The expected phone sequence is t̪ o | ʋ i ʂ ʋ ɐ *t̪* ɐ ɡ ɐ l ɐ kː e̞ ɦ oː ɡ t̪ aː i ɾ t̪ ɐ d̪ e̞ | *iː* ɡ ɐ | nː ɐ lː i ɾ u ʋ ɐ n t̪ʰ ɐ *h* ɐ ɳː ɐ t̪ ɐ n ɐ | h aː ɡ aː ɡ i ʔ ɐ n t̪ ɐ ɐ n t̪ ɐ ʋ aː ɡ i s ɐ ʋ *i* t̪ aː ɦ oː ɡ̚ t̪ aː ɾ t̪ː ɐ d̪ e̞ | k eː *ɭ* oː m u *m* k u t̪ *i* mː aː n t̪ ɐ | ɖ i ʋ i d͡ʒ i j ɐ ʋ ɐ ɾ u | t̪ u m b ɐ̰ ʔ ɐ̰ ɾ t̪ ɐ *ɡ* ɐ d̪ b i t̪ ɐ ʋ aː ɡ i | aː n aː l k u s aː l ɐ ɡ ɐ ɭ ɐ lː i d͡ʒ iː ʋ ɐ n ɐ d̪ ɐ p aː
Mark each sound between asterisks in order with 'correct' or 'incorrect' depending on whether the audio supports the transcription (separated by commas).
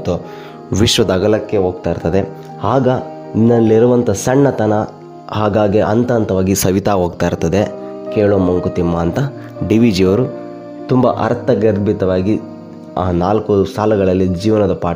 incorrect, incorrect, incorrect, correct, correct, incorrect, correct, correct